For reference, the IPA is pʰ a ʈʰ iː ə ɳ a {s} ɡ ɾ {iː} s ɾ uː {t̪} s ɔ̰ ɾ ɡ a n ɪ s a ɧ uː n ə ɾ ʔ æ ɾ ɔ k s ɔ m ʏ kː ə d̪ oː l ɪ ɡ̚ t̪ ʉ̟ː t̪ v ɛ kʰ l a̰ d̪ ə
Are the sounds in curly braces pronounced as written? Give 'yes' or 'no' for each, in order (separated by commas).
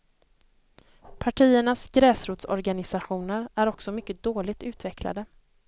yes, no, yes